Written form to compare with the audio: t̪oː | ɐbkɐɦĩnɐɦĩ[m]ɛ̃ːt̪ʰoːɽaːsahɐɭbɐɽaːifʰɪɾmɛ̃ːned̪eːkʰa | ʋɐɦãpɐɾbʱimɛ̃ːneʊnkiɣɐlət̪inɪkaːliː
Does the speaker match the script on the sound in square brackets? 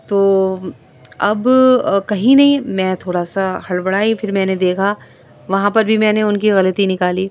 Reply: yes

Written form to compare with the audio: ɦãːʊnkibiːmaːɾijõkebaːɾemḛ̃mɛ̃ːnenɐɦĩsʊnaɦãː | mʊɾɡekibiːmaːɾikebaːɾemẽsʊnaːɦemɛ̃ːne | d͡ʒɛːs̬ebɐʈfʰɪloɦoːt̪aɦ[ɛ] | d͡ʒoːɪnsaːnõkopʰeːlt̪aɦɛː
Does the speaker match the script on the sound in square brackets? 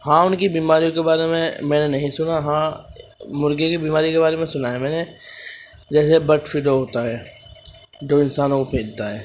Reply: no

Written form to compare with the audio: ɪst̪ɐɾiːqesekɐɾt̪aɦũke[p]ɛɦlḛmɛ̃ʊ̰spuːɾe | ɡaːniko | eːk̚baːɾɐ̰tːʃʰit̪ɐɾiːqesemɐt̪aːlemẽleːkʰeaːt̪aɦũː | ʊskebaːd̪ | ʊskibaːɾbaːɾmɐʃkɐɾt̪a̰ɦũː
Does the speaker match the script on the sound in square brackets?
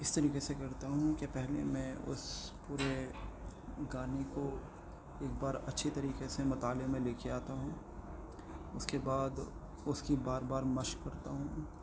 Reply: yes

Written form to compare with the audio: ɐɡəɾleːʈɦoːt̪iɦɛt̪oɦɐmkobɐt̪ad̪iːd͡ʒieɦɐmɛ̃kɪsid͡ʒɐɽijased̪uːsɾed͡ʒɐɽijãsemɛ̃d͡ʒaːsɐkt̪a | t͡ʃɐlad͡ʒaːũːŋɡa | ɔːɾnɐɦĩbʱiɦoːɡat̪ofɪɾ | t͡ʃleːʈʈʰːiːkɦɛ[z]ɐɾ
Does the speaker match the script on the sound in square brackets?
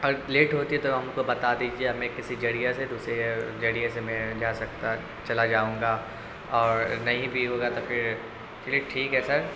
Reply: no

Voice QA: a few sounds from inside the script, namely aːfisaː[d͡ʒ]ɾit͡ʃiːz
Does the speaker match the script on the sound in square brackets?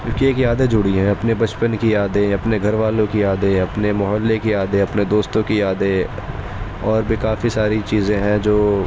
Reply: no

